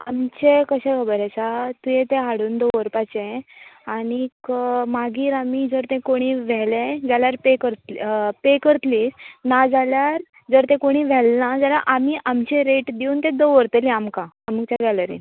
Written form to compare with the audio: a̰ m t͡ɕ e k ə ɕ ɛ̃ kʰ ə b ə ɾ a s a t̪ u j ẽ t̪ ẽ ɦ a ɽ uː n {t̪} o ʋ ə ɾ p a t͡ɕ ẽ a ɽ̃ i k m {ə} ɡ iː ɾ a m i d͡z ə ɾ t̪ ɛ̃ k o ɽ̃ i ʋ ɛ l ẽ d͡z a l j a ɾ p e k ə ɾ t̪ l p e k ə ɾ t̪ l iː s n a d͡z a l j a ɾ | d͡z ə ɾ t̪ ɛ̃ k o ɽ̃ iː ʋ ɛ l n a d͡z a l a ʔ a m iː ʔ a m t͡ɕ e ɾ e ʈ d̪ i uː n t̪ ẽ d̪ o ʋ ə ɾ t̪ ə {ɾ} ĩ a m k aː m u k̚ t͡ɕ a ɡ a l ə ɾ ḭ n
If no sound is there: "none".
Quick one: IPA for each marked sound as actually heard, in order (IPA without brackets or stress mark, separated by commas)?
d̪, a, l